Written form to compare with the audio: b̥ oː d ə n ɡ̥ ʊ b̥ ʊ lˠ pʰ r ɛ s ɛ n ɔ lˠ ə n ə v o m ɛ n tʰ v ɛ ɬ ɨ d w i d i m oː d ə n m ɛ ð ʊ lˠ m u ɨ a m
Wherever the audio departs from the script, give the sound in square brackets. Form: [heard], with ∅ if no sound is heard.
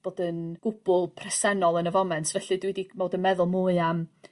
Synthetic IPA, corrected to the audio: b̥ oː d ə n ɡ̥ ʊ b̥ ʊ lˠ pʰ r ɛ s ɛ n ɔ lˠ ə n ə v [ɔ] m ɛ n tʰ v ɛ ɬ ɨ d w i d i m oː d ə n m ɛ ð ʊ lˠ m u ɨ a m